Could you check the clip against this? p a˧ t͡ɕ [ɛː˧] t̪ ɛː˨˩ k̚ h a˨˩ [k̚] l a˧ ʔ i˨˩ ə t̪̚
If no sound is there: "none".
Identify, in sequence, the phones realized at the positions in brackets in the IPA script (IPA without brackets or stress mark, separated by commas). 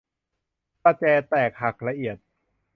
ɛː˧, k̚